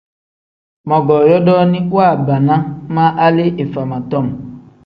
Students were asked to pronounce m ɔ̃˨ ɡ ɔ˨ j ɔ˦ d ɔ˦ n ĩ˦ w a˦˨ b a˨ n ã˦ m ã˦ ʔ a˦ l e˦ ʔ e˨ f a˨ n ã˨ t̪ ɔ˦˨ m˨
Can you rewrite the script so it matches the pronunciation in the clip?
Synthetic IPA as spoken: m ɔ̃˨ ɡ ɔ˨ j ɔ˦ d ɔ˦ n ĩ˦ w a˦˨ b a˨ n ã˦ m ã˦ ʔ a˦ l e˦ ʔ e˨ f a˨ m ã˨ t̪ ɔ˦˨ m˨